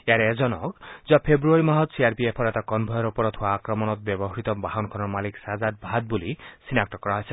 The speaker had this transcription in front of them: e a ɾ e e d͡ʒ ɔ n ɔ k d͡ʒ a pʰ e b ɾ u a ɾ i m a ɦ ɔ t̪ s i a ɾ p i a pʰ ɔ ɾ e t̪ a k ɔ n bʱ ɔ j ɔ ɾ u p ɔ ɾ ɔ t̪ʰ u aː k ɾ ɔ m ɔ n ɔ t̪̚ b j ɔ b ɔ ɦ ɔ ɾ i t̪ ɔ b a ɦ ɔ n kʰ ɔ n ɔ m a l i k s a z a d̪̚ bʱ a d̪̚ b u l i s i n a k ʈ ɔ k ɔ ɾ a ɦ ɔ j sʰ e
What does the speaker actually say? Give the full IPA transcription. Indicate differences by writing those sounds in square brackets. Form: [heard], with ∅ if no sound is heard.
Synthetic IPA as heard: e a ɾ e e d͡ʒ ɔ n ɔ k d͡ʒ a pʰ e b ɾ u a ɾ i m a ɦ ɔ t̪ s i a ɾ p i [e] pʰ ɔ ɾ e t̪ a k ɔ n bʱ ɔ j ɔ ɾ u p ɔ ɾ ɔ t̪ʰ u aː k ɾ ɔ m ɔ n ɔ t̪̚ b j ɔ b ɔ ɦ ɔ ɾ i t̪ ɔ b a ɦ ɔ n kʰ ɔ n ɔ m a l i k s a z a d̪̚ bʱ a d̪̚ b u l i s i n a k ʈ ɔ k ɔ ɾ a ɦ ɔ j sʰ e